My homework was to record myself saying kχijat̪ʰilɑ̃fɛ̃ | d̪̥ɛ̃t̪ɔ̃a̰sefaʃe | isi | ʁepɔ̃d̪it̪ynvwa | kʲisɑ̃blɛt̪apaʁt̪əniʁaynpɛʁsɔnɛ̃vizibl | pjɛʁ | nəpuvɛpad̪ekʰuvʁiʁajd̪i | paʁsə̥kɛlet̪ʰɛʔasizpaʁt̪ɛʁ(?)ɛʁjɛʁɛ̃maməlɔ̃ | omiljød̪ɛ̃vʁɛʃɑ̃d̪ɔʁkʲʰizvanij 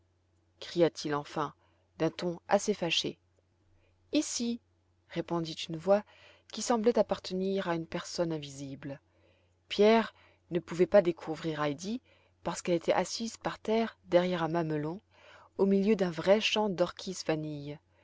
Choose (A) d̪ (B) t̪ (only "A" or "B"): A